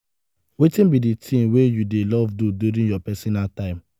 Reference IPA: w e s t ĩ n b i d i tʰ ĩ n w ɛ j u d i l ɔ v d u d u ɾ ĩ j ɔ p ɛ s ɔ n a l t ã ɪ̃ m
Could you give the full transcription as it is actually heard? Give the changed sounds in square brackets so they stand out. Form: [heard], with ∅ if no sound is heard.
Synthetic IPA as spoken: w e [∅] t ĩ n b i d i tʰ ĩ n w [e] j u d [e] l ɔ v d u d u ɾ ĩ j ɔ p ɛ s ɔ n a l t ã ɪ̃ m